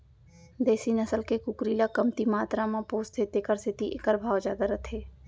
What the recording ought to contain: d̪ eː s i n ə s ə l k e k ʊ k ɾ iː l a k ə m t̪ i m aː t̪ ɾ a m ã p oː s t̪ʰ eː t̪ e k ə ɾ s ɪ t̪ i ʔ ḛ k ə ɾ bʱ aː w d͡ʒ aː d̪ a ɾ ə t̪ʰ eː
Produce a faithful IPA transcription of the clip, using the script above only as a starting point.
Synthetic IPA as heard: d̪ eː s i n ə s ə l k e k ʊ k ɾ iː l a k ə m t̪ i m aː t̪ ɾ a m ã p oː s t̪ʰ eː t̪ e k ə ɾ s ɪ t̪ i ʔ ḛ k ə ɾ bʱ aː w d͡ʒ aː d̪ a ɾ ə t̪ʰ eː